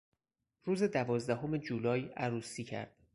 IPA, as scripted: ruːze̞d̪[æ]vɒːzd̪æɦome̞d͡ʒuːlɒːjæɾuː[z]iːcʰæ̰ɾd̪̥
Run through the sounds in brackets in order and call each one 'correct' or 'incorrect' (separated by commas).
correct, incorrect